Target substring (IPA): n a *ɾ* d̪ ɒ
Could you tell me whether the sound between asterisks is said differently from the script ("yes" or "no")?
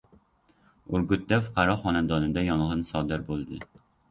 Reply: yes